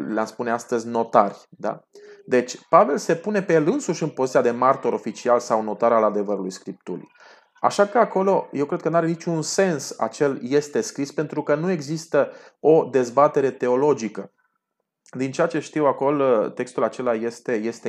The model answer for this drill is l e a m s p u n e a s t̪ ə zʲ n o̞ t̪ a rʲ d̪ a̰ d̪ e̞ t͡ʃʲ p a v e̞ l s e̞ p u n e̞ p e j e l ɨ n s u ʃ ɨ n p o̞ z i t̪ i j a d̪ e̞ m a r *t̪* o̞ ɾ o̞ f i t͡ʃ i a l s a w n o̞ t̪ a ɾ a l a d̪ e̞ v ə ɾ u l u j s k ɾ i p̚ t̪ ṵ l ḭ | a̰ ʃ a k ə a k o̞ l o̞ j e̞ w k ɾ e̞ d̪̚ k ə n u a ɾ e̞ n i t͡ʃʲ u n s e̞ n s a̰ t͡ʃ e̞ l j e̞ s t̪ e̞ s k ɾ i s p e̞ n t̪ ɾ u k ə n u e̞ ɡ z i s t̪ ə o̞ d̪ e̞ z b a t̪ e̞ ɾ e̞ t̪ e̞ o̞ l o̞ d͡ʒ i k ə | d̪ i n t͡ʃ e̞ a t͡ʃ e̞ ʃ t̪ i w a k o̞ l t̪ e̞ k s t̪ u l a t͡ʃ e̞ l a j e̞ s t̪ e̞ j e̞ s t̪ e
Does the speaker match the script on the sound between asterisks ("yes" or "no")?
yes